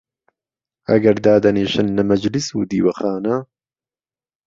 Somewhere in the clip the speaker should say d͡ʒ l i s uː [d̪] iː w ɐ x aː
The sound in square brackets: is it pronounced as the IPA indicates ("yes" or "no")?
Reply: yes